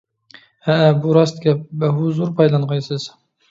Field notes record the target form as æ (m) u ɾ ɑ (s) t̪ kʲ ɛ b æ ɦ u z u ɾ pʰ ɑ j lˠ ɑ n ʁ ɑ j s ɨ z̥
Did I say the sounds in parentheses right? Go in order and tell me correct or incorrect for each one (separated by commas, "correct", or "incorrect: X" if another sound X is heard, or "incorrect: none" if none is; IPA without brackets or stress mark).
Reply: incorrect: b, correct